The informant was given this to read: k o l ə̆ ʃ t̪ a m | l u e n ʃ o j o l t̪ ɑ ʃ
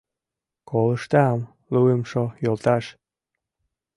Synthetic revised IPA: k o l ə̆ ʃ t̪ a m | l u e m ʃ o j o l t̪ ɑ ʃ